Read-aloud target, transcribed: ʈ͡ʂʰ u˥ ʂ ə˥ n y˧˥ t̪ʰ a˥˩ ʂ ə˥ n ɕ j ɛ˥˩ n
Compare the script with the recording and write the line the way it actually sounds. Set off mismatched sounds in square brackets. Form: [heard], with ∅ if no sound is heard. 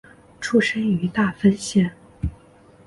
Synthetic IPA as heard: ʈ͡ʂʰ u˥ ʂ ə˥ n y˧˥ [t̪] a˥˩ [f] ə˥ n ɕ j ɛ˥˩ n